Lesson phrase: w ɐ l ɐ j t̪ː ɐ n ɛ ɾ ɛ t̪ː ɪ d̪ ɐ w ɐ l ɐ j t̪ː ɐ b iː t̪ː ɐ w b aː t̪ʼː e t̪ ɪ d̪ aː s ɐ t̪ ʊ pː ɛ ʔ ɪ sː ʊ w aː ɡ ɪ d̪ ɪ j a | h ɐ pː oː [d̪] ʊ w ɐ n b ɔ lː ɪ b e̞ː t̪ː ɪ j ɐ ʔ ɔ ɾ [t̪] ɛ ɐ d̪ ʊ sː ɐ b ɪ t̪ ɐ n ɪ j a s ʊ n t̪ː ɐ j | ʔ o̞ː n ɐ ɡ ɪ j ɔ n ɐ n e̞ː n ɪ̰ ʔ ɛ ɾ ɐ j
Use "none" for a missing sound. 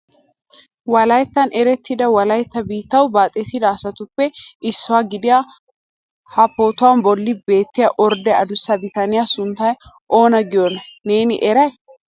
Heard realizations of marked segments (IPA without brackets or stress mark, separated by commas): t̪, d̪